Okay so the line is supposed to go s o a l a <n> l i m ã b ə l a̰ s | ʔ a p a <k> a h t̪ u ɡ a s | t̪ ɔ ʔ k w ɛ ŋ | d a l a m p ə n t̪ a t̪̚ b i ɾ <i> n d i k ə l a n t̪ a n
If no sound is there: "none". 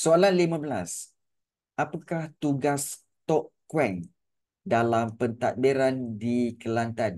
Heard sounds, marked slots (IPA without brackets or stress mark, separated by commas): n, k, a